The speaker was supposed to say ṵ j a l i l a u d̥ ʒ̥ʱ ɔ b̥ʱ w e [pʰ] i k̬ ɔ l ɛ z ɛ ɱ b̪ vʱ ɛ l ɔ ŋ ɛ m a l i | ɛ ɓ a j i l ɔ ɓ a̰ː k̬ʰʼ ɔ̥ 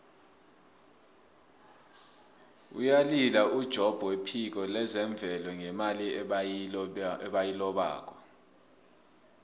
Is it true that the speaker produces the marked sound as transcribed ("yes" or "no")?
yes